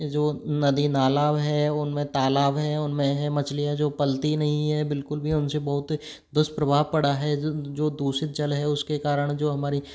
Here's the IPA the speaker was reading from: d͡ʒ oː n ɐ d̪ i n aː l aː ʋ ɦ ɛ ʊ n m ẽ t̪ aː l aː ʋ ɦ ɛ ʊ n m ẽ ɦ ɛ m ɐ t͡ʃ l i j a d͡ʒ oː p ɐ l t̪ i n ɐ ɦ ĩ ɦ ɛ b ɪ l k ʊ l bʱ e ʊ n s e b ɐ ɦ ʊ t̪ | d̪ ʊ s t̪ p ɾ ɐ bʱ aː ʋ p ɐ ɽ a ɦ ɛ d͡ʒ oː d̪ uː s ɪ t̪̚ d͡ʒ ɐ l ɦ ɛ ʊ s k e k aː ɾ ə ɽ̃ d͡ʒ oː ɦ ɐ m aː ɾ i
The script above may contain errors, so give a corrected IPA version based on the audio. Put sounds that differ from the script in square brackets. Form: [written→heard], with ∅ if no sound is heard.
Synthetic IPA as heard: d͡ʒ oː n ɐ d̪ i n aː l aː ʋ ɦ ɛ ʊ n m ẽ t̪ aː l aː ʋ ɦ ɛ ʊ n m ẽ ɦ ɛ m ɐ t͡ʃ l i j a d͡ʒ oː p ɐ l t̪ i n ɐ ɦ ĩ ɦ ɛ b ɪ l k ʊ l bʱ [e→i] ʊ n s e b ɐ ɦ ʊ t̪ | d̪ ʊ s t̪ p ɾ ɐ bʱ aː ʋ p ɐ ɽ a ɦ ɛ d͡ʒ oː d̪ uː s ɪ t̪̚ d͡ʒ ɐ l ɦ ɛ ʊ s k e k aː ɾ ə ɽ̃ d͡ʒ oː ɦ ɐ m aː ɾ i